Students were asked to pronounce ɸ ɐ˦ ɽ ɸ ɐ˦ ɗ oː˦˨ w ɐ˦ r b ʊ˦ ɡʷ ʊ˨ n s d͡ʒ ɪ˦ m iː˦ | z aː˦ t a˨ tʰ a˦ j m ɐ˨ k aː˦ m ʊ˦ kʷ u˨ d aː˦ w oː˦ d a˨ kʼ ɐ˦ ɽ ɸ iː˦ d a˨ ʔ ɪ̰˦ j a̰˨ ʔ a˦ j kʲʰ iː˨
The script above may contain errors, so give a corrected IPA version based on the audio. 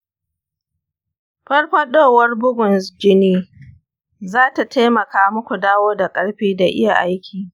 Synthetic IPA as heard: ɸ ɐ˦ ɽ ɸ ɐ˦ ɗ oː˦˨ w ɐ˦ r b ʊ˦ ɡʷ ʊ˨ n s d͡ʒ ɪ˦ n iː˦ | z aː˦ t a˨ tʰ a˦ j m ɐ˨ k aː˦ m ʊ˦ kʷ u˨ d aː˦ w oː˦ d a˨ kʼ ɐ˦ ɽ ɸ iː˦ d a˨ ʔ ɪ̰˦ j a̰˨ ʔ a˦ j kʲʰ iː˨